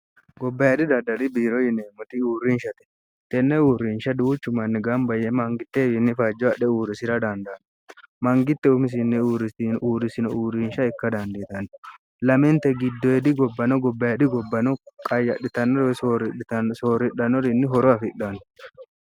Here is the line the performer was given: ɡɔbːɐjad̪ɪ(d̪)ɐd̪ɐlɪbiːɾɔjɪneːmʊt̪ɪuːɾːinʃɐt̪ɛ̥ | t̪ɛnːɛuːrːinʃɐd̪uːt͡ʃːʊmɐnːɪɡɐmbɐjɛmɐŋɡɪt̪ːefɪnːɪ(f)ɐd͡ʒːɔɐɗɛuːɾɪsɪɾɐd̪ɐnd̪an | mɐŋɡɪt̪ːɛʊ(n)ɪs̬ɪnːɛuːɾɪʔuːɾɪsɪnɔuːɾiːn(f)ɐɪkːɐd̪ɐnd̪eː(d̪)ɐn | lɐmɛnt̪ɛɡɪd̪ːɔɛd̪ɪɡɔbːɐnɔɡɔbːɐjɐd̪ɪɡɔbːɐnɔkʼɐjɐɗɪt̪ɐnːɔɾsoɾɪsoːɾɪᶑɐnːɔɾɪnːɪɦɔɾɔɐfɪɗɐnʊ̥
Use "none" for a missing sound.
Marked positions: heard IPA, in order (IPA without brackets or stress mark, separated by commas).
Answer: d̪, f, m, ʃ, t̪